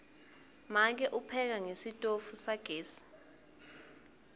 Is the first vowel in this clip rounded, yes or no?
no